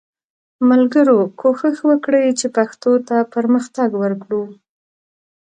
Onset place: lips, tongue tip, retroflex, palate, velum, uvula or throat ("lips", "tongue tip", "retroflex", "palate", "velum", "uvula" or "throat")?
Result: lips